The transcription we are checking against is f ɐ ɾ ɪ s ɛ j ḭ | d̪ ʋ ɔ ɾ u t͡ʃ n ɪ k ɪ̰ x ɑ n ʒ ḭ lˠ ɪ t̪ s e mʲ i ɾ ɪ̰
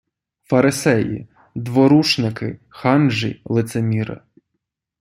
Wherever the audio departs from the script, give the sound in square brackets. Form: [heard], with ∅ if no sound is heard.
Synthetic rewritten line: f ɐ ɾ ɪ s ɛ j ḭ | d̪ ʋ ɔ ɾ u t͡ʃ n ɪ k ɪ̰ x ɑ n ʒ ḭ lˠ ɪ t̪ s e mʲ i ɾ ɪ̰